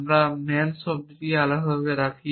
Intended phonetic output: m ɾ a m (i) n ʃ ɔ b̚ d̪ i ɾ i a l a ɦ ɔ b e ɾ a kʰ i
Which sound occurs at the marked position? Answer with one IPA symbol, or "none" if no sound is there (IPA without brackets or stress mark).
ɛ